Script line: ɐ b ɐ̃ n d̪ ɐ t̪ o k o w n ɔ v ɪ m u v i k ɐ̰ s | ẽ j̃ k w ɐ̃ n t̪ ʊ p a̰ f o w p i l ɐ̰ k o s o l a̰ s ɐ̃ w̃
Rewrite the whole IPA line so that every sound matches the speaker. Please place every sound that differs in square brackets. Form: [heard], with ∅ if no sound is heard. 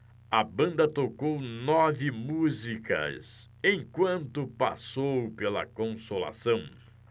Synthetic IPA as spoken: ɐ b ɐ̃ n d̪ ɐ t̪ o k o w n ɔ v ɪ m u [z] i k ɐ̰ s | ẽ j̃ k w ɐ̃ n t̪ ʊ p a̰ [s] o w p [e] l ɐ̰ k [õ] s o l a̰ s ɐ̃ w̃